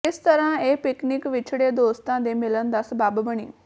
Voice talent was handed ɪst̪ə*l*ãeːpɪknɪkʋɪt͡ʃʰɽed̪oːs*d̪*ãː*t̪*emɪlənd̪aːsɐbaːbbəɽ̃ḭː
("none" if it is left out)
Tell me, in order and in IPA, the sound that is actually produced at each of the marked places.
ɾ, t̪, d̪

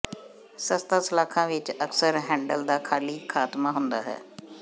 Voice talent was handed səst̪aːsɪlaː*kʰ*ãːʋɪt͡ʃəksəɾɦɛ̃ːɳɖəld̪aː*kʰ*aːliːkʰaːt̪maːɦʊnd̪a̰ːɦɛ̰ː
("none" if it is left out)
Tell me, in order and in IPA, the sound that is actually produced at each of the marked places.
kʰ, kʰ

